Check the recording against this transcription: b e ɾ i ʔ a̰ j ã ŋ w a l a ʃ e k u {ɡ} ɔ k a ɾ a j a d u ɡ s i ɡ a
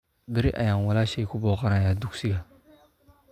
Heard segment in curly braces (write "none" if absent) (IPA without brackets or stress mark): b